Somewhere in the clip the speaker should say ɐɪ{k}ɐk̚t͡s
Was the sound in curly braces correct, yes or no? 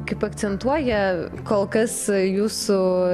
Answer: no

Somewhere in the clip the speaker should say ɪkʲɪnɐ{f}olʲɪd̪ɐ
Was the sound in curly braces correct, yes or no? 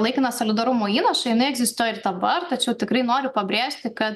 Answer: no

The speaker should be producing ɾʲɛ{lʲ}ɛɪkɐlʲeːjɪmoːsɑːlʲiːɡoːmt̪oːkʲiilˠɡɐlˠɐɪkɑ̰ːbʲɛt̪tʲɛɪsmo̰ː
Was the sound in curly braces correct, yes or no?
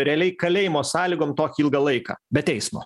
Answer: yes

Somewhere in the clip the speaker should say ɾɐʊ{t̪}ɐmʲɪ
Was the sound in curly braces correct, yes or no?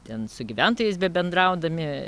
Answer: no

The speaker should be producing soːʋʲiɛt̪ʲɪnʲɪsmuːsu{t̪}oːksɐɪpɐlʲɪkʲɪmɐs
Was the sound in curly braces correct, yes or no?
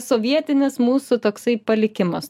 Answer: yes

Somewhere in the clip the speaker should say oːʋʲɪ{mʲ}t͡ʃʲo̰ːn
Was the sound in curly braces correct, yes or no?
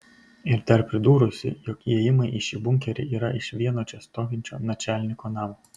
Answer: no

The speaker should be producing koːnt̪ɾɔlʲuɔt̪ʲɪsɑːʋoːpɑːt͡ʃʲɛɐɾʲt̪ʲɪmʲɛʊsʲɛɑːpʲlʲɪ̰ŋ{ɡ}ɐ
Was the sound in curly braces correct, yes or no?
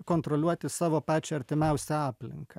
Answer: no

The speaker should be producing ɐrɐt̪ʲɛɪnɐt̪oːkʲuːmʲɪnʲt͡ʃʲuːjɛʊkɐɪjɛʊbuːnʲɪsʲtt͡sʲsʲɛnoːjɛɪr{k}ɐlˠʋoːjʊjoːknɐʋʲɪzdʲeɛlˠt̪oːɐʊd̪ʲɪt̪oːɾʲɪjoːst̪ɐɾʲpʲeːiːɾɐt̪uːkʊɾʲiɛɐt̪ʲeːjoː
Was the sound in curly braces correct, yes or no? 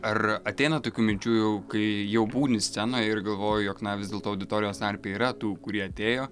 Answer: no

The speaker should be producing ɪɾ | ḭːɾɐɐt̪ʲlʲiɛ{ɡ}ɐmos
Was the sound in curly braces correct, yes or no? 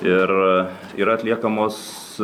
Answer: no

